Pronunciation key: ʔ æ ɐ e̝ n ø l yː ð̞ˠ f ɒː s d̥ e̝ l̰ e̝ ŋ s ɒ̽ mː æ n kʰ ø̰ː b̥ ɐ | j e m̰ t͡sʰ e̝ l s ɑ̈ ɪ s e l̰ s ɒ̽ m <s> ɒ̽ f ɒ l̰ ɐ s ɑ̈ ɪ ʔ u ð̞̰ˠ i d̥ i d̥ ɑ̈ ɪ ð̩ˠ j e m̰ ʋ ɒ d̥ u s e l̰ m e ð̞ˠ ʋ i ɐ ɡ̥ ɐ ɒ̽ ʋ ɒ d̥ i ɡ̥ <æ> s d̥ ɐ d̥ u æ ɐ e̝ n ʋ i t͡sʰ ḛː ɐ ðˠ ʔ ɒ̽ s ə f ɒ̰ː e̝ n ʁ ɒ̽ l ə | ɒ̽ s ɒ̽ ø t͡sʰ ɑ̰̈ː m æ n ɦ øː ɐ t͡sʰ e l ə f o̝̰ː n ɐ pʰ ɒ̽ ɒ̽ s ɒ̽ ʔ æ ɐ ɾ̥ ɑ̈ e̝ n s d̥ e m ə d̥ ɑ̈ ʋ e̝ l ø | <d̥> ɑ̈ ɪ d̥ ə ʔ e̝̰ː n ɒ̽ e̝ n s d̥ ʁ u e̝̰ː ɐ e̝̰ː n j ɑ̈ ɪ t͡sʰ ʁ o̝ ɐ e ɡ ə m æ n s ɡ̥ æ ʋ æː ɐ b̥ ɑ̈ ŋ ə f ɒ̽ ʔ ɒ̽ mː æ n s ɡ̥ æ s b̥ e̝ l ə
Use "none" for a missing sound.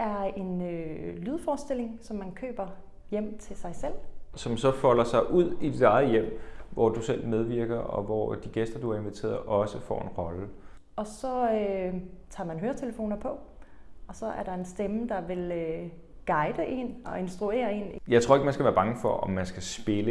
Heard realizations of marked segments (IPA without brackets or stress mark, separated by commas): s, e, ɡ̥